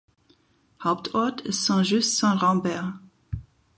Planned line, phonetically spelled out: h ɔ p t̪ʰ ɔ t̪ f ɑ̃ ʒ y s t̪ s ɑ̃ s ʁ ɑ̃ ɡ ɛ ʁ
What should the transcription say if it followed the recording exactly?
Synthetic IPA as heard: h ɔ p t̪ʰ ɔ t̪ s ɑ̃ ʒ y s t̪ s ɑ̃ ʁ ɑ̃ b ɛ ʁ